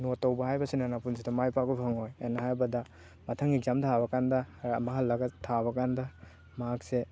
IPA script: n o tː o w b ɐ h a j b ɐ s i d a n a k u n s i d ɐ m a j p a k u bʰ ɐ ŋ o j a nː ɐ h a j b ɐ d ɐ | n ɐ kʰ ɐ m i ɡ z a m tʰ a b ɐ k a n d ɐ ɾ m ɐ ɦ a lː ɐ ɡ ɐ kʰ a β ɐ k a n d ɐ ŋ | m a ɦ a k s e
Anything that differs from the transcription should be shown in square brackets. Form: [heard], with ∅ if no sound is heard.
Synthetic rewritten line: n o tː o w b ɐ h a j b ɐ s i [n] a n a [p] u n s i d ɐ m a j p a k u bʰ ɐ ŋ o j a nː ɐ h a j b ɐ d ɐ | [m] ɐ [tʰ] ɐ [ŋ] i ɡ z a m tʰ a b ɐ k a n d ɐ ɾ m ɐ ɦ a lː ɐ ɡ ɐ [tʰ] a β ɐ k a n d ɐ [∅] | m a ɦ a k s e